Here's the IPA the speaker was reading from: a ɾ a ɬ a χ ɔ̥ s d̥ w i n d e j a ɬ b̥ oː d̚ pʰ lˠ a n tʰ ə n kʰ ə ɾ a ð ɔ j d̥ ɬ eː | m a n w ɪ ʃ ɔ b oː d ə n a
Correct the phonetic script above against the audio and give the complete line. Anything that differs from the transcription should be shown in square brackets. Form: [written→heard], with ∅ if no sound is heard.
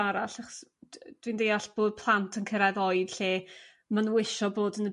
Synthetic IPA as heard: a ɾ a ɬ a χ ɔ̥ s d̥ w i n d e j a ɬ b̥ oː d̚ pʰ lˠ a n tʰ ə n kʰ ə ɾ a ð ɔ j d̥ ɬ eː | m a n w ɪ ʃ ɔ b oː d ə n [a→ə]

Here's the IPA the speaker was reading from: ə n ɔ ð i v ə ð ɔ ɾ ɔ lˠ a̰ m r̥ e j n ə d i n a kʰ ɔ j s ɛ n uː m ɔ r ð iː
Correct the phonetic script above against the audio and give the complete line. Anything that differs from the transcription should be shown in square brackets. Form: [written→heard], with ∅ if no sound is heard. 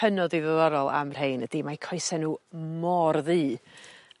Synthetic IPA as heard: ə n ɔ ð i [v→ð] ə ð ɔ ɾ ɔ lˠ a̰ m r̥ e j n ə d i [n→m] a kʰ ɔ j s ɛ n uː m ɔ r ð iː

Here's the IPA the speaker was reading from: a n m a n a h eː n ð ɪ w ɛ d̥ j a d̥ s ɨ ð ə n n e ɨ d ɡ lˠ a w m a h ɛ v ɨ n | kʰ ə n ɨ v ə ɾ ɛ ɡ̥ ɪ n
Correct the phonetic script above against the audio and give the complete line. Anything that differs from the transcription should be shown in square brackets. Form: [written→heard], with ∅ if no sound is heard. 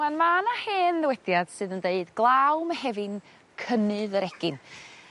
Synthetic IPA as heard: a n m a n a h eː n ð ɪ w ɛ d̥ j a d̥ s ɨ ð ə n [n→d] e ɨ d ɡ lˠ a w m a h ɛ v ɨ n | kʰ ə n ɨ [v→ð] ə ɾ ɛ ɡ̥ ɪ n

